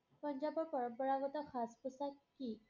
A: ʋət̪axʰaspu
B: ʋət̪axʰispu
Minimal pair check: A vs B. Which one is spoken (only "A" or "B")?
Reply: A